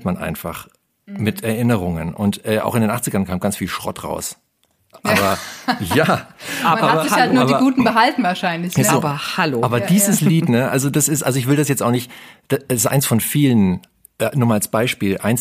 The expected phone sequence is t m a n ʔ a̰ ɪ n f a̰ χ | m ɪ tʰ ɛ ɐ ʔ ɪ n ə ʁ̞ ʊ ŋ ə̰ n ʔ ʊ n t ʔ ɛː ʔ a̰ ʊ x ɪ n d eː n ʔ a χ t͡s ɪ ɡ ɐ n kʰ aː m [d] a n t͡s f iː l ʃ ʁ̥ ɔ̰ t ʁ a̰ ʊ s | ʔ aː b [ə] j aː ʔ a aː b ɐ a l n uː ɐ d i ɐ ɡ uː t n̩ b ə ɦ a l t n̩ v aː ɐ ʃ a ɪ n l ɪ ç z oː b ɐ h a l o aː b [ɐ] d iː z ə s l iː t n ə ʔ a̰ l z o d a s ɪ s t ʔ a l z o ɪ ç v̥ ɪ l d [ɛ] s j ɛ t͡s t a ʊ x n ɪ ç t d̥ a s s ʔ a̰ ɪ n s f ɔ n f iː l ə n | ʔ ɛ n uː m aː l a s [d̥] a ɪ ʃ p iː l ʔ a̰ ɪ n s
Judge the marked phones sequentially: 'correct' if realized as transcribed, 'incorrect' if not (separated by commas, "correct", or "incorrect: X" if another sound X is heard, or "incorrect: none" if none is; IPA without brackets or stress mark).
incorrect: ɡ, incorrect: ɐ, correct, incorrect: a, incorrect: b̥